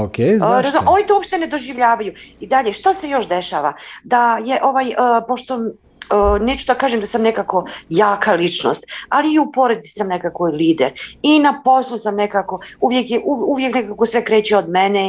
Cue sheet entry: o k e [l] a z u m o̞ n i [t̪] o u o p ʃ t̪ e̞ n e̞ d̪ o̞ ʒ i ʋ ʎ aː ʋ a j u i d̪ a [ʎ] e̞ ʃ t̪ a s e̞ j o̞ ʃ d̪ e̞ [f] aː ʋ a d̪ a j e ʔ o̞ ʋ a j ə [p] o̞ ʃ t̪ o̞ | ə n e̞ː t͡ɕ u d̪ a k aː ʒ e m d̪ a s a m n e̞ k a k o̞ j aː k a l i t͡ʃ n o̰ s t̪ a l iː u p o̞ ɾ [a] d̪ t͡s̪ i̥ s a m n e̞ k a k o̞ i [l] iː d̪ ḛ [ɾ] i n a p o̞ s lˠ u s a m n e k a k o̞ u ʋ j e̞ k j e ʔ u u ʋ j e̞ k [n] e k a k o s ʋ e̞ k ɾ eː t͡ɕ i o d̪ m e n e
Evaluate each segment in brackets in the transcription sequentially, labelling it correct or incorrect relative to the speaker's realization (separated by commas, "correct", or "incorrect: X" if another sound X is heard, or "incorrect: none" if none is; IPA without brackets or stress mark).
incorrect: ɾ, correct, correct, incorrect: ʃ, correct, incorrect: e, correct, correct, correct